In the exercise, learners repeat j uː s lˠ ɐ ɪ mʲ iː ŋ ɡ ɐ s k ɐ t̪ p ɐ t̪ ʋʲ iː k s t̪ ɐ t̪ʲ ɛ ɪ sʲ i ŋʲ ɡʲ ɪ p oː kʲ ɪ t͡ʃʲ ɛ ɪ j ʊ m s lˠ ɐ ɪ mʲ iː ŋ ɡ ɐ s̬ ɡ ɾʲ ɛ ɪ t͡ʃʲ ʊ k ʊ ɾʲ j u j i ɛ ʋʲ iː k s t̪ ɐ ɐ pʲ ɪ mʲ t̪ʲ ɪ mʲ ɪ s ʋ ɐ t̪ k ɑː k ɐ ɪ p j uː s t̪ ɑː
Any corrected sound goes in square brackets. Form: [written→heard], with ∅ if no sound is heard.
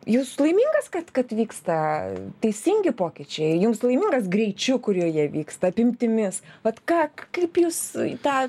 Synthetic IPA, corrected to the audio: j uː s lˠ ɐ ɪ mʲ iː ŋ ɡ ɐ s k ɐ t̪ [p→k] ɐ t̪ ʋʲ iː k s t̪ ɐ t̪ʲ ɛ ɪ sʲ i ŋʲ ɡʲ ɪ p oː kʲ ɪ t͡ʃʲ ɛ ɪ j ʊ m s lˠ ɐ ɪ mʲ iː ŋ ɡ ɐ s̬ ɡ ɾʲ ɛ ɪ t͡ʃʲ ʊ k ʊ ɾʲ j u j i ɛ ʋʲ iː k s t̪ ɐ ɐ pʲ ɪ mʲ t̪ʲ ɪ mʲ ɪ s ʋ ɐ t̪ k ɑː k ɐ ɪ p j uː s t̪ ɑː